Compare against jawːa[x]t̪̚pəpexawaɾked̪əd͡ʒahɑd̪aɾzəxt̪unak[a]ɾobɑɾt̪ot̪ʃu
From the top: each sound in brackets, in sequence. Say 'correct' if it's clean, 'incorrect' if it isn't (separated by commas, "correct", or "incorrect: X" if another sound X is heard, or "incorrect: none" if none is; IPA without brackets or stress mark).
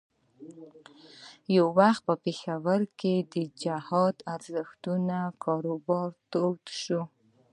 correct, incorrect: ɑ